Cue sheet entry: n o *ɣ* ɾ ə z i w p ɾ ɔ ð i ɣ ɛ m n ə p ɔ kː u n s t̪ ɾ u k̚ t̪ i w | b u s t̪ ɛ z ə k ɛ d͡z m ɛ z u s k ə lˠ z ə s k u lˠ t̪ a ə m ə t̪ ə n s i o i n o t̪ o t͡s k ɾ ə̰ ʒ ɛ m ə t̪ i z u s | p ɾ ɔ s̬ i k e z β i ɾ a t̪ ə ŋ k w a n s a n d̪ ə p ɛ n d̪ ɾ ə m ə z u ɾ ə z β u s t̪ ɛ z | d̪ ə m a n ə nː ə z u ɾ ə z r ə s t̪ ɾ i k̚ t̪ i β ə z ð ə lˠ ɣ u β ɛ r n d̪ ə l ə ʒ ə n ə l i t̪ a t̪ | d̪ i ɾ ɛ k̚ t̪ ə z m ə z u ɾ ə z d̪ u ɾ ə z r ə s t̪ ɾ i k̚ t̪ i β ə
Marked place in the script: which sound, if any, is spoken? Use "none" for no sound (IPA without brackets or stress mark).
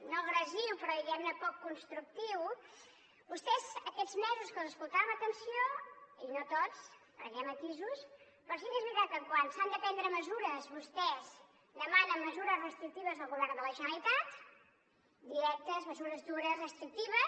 ɣ